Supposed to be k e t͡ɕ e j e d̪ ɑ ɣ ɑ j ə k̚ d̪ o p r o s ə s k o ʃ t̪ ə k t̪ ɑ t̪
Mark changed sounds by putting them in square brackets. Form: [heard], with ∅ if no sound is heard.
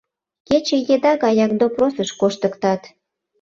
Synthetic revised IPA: k e t͡ɕ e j e d̪ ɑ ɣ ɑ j [ɑ] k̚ d̪ o p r o s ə [ʃ] k o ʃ t̪ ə k t̪ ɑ t̪

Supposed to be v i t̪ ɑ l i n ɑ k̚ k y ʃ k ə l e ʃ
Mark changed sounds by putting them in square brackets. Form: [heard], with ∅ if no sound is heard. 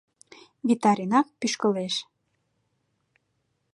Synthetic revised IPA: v i t̪ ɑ [ɾ] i n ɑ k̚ [p] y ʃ k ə l e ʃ

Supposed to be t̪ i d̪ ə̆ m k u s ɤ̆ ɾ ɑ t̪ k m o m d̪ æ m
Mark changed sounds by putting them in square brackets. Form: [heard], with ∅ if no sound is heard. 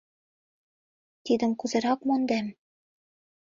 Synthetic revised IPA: t̪ i d̪ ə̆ m k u [z] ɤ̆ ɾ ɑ [∅] k m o [n] d̪ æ m

